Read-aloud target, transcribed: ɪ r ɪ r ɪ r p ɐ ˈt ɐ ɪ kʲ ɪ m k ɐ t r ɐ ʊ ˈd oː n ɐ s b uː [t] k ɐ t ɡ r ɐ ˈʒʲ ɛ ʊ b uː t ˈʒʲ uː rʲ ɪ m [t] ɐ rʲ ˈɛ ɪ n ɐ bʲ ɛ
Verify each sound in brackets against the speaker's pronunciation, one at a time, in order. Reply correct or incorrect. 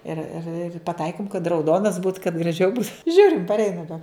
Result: correct, incorrect

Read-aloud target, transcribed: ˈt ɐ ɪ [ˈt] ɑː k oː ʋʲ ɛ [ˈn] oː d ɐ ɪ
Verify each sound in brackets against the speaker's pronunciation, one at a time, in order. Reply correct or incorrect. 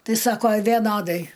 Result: incorrect, correct

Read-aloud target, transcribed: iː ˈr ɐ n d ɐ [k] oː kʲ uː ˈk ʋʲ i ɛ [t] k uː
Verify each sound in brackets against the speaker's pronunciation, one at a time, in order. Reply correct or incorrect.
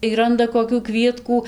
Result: correct, correct

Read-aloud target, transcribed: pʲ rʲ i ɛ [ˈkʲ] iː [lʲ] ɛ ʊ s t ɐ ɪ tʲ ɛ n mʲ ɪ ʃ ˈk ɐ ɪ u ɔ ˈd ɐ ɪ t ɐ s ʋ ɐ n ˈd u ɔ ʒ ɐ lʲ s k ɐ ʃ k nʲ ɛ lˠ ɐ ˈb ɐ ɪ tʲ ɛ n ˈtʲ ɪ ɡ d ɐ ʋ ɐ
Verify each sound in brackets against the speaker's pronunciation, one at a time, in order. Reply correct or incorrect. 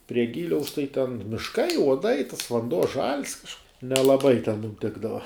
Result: incorrect, correct

